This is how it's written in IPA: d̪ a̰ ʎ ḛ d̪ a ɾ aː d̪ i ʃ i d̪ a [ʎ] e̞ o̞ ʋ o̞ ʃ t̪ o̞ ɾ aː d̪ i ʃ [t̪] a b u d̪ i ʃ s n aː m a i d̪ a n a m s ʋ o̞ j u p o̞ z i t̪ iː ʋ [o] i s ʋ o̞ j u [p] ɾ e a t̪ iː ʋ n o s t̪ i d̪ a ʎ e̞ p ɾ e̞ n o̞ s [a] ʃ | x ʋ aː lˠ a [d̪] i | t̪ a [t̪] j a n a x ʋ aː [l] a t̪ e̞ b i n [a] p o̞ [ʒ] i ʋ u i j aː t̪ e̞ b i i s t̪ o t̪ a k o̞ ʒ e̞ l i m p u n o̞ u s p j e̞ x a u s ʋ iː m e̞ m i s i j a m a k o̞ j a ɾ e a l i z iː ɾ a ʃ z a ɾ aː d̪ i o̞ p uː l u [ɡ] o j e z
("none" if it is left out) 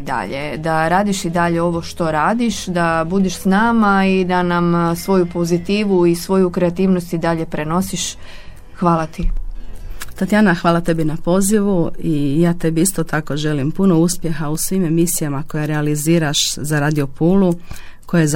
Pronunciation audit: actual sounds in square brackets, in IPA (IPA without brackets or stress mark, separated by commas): ʎ, d̪, u, k, i, t̪, t̪, l, a, z, k